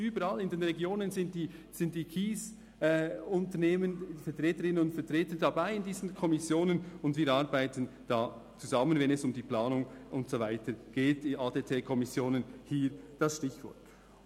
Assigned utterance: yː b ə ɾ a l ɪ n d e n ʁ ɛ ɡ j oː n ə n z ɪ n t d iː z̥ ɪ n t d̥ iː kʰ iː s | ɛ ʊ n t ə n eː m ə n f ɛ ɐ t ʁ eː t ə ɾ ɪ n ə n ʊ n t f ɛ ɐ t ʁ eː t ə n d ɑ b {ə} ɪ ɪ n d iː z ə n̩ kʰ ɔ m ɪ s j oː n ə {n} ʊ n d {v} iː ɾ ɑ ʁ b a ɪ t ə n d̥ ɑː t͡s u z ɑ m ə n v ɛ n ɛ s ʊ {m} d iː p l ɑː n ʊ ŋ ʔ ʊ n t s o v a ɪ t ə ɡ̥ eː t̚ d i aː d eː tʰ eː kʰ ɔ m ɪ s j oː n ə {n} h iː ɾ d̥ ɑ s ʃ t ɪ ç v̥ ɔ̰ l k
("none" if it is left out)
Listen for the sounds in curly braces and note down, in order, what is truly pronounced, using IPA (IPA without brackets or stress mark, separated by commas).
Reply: a, n, v, m, n